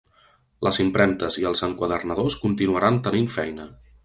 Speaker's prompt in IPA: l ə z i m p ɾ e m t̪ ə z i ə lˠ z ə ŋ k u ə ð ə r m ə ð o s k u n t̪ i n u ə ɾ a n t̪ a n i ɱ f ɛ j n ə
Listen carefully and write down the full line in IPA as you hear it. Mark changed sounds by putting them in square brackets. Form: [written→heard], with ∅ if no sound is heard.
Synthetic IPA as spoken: l ə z i m p ɾ [e→ɛ] m t̪ ə z i ə lˠ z ə ŋ k [u→w] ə ð ə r [m→n] ə ð o s k u n t̪ i n u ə ɾ a n t̪ [a→ə] n i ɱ f ɛ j n ə